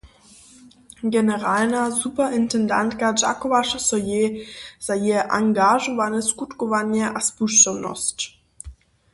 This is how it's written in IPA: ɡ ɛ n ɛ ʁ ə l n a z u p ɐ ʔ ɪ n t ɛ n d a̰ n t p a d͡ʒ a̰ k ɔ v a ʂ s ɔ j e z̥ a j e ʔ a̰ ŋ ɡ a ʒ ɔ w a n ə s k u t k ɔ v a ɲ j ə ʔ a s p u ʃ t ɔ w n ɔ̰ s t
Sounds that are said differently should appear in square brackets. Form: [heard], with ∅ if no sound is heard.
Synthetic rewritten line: ɡ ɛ n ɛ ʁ [a] l n a z u p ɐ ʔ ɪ n t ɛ n d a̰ n t [k] a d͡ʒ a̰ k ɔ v a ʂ s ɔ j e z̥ a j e ʔ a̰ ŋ ɡ a ʒ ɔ [v] a n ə s k u t k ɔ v a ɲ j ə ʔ a s p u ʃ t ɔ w n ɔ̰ s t